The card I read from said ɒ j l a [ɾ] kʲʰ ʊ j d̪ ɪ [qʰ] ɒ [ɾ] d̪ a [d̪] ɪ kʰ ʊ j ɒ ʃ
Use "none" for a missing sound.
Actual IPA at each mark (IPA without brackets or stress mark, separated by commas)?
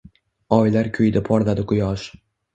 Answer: ɾ, pʰ, ɾ, d̪